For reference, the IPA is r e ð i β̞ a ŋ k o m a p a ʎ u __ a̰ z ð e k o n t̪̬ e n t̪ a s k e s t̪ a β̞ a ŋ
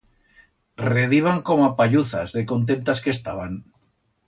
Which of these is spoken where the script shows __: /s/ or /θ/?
θ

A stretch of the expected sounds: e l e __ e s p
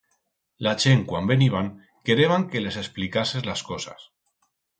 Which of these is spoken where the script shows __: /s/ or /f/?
s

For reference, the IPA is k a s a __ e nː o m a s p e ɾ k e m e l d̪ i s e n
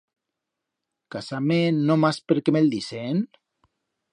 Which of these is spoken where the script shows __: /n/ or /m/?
m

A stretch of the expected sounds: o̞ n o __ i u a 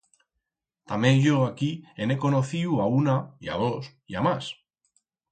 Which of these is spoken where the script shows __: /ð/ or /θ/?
θ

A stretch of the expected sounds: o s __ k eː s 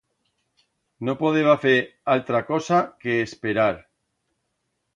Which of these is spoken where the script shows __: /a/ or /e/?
a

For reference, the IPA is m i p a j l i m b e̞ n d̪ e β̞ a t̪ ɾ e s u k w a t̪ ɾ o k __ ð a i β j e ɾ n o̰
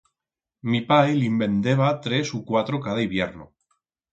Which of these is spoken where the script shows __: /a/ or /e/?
a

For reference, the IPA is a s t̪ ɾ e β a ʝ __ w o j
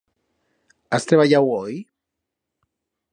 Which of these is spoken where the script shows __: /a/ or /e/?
a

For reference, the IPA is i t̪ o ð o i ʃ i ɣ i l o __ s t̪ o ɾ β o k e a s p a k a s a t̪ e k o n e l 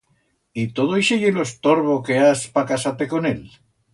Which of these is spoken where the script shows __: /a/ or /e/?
e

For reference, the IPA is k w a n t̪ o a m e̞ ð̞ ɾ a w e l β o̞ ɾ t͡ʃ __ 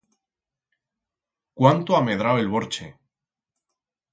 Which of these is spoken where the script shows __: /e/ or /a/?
e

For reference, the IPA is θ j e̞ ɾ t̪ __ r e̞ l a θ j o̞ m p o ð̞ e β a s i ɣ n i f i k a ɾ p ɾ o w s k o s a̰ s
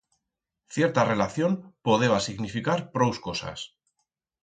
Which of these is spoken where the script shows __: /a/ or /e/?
a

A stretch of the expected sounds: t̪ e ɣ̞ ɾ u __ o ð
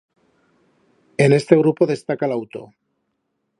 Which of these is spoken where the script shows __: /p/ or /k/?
p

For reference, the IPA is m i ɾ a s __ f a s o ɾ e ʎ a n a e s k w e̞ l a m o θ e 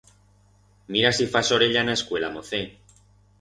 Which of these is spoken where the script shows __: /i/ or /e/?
i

